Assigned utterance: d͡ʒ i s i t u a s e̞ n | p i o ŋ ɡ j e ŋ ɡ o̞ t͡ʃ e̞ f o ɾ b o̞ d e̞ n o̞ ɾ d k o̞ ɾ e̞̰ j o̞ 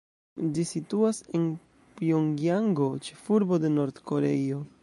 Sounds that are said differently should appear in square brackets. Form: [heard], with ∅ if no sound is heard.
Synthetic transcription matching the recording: d͡ʒ i s i t u a s e̞ n | p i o ŋ ɡ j [a] ŋ ɡ o̞ t͡ʃ e̞ f [u] ɾ b o̞ d e̞ n o̞ ɾ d k o̞ ɾ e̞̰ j o̞